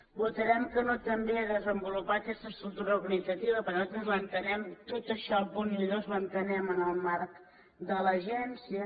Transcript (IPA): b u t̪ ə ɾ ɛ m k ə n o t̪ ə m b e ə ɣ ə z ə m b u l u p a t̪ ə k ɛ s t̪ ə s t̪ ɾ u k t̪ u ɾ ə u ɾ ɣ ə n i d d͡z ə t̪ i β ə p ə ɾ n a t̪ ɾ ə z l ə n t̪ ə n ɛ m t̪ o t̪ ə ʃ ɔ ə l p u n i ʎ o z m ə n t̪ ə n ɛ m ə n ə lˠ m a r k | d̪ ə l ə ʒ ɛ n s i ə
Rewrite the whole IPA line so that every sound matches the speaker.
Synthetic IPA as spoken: b u t̪ ə ɾ ɛ m k ə n o t̪ ə m b e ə ð ə z ə m b u l u p a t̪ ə k ɛ s t̪ ə s t̪ ɾ u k t̪ u ɾ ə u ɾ ɣ ə n i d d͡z ə t̪ i β ə p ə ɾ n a t̪ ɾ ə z l ə n t̪ ə n ɛ m t̪ o t̪ ə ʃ ɔ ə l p u n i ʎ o z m ə n t̪ ə n ɛ m ə n ə lˠ m a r k | d̪ ə l ə ʒ ɛ n s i ə